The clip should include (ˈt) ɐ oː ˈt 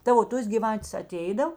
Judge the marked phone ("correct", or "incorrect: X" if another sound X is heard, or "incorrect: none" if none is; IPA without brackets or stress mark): correct